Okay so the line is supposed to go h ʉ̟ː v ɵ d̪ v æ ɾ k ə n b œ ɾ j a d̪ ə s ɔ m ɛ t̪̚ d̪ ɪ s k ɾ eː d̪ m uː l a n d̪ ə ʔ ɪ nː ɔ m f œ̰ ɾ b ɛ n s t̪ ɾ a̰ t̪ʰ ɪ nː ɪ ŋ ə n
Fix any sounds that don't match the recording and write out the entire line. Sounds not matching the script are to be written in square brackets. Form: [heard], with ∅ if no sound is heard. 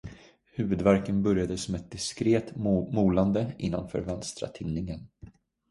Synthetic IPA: h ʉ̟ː v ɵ d̪ v æ ɾ k ə n b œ ɾ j a d̪ ə s ɔ m ɛ t̪̚ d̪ ɪ s k ɾ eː [t̪] m uː l a n d̪ ə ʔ ɪ nː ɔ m f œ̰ ɾ [v] ɛ n s t̪ ɾ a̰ t̪ʰ ɪ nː ɪ ŋ ə n